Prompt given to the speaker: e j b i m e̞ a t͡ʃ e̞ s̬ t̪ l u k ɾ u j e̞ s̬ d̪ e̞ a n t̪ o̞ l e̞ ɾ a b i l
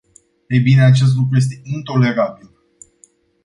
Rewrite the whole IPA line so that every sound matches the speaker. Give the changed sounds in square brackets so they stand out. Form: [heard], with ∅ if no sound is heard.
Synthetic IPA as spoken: e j b i [n] e̞ a t͡ʃ e̞ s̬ t̪ l u k ɾ u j e̞ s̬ [t̪] e̞ [i] n t̪ o̞ l e̞ ɾ a b i l